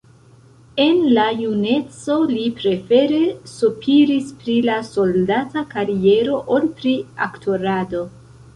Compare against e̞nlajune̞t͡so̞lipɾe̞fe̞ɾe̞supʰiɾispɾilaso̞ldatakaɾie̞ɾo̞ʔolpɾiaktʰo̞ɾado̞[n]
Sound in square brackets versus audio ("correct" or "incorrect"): incorrect